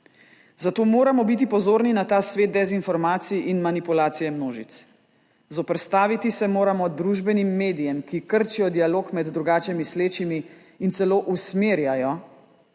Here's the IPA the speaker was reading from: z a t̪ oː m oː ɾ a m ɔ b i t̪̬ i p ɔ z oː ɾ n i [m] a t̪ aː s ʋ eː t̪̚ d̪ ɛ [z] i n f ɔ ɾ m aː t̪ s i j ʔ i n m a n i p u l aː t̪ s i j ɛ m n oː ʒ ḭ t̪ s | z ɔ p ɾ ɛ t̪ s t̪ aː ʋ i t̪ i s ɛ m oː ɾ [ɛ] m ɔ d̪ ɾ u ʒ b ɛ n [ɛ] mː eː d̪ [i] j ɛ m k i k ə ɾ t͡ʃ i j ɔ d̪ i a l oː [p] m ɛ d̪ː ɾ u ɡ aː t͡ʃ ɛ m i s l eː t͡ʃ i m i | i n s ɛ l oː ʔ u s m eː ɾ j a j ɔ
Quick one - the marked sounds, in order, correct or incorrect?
incorrect, correct, incorrect, incorrect, correct, incorrect

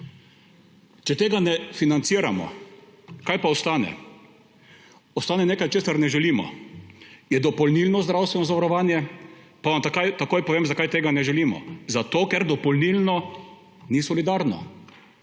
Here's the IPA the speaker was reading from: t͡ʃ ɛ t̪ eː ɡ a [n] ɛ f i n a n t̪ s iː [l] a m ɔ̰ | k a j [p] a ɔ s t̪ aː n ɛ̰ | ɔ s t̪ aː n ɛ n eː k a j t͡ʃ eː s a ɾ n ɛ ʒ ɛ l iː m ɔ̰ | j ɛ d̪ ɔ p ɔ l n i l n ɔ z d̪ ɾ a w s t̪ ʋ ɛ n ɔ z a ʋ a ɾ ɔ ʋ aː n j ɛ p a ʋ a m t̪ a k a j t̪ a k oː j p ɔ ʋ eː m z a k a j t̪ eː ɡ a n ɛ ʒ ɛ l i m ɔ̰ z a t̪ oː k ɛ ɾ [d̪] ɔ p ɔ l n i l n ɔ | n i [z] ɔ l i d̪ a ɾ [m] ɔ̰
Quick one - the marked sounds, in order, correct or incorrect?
correct, incorrect, correct, correct, incorrect, incorrect

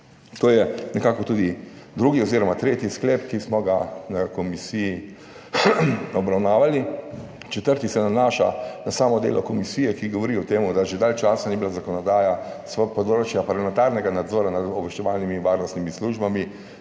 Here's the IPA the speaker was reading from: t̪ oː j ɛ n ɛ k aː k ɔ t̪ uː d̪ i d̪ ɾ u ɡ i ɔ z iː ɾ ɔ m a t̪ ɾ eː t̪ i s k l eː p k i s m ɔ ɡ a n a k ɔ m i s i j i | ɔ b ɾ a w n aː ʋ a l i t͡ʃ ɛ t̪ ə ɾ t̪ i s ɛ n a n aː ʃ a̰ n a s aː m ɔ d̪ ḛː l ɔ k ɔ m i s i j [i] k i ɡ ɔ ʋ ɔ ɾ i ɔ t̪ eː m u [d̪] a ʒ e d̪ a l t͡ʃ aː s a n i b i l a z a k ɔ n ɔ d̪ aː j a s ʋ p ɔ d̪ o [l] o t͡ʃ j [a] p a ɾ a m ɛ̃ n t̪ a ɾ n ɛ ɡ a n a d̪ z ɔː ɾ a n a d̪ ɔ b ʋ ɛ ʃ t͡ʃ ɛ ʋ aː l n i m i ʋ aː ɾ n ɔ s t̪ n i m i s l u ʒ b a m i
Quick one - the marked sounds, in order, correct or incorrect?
incorrect, correct, incorrect, correct

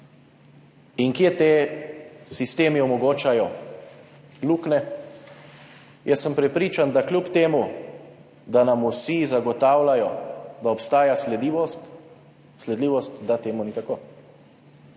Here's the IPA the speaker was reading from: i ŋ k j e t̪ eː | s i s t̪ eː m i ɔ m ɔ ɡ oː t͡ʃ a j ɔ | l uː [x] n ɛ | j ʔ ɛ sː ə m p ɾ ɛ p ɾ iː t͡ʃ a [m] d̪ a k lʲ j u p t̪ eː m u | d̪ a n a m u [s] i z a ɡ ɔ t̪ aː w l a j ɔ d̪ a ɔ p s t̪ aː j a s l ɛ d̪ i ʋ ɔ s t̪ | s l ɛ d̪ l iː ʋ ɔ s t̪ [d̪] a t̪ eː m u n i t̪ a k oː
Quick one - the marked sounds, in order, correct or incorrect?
incorrect, incorrect, correct, correct

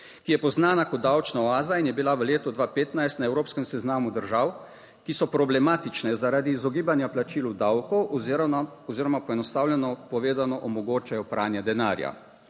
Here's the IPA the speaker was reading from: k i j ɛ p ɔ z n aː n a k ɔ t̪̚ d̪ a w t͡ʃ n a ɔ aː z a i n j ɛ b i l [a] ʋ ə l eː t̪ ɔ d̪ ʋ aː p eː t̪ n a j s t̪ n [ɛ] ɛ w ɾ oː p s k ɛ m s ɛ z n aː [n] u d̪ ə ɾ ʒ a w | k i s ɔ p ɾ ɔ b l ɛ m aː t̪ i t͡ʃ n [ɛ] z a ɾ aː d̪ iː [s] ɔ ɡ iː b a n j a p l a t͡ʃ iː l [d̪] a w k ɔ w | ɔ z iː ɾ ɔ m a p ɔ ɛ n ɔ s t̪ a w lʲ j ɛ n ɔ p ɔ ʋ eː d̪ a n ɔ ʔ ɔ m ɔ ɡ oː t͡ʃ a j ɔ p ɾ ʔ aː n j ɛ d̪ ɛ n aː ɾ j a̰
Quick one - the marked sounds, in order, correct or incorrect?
correct, incorrect, incorrect, correct, incorrect, correct

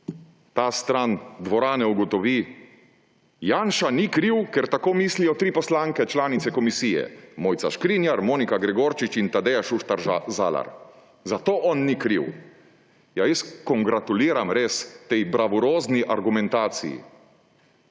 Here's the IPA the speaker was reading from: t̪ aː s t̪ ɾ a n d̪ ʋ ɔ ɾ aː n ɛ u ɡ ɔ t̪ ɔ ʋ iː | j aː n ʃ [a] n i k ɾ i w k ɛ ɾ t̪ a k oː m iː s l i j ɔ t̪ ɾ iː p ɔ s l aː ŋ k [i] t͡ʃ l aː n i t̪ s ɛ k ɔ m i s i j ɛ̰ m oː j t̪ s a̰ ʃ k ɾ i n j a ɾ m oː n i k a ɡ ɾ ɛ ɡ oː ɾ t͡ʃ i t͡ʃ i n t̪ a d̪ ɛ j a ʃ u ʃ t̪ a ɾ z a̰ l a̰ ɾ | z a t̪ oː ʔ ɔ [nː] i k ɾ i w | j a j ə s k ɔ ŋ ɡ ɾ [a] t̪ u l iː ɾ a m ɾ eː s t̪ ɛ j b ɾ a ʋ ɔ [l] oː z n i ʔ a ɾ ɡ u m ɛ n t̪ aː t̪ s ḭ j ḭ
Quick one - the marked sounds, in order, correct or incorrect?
correct, incorrect, correct, correct, incorrect

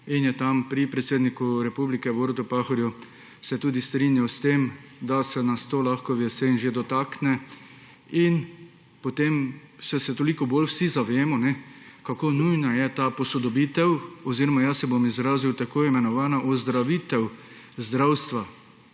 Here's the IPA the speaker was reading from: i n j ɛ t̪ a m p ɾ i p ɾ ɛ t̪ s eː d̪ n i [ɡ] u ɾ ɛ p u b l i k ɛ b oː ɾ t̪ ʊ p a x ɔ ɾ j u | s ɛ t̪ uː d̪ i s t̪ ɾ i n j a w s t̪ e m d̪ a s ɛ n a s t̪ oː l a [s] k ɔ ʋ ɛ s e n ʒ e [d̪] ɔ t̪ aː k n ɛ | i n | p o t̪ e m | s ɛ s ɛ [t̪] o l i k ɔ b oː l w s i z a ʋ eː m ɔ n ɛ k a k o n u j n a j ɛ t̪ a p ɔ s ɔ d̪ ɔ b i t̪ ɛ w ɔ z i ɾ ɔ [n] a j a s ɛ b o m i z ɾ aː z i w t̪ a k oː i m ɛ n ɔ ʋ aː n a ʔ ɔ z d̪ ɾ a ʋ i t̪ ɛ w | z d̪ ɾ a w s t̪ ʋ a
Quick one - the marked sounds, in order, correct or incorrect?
incorrect, incorrect, correct, correct, incorrect

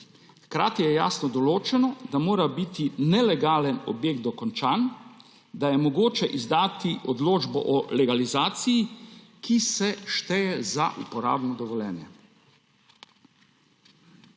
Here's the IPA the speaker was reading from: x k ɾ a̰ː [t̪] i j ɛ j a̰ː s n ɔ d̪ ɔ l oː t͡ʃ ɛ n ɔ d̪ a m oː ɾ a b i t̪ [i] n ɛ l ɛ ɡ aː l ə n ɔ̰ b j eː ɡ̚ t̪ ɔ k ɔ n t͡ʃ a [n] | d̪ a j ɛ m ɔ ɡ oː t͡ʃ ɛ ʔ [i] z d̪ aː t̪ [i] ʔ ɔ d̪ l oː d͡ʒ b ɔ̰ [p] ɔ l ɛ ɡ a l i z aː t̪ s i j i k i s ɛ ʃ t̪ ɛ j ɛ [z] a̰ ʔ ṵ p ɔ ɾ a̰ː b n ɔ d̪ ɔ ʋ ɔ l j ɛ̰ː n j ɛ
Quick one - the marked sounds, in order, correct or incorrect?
correct, correct, correct, correct, correct, incorrect, correct

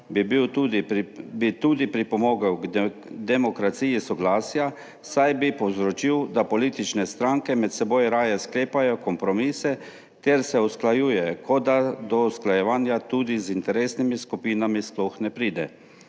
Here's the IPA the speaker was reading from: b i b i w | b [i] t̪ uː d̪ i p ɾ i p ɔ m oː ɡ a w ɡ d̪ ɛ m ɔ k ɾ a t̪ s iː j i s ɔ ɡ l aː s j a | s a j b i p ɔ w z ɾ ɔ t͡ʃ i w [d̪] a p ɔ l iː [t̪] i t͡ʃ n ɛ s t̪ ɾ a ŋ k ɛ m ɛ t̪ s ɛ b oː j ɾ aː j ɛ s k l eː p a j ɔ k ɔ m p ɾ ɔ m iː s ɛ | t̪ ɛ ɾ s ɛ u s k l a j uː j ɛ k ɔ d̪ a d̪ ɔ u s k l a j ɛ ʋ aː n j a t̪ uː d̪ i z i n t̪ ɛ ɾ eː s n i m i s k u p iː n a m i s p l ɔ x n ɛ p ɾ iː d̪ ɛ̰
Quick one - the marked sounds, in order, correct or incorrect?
correct, correct, correct

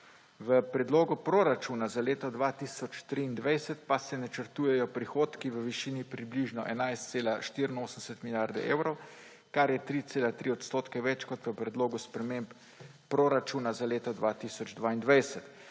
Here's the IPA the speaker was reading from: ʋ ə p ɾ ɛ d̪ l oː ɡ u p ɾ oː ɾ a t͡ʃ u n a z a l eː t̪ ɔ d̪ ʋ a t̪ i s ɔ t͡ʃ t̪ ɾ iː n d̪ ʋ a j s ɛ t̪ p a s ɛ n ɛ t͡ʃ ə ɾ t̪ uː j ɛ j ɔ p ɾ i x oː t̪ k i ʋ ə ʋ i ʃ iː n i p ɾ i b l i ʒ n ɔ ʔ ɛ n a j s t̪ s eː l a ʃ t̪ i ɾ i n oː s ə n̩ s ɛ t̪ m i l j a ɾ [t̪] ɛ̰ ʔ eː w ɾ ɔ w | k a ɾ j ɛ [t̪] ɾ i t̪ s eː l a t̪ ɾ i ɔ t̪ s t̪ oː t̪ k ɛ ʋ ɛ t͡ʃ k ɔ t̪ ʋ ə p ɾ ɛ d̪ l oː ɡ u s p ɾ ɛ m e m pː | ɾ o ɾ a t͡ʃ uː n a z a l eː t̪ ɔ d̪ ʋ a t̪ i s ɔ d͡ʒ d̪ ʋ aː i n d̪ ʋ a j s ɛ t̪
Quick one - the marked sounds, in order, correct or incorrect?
incorrect, correct

